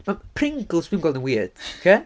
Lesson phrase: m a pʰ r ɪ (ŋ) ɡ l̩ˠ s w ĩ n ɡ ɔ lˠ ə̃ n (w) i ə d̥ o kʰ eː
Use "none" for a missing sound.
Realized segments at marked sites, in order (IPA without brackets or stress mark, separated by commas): ŋ, w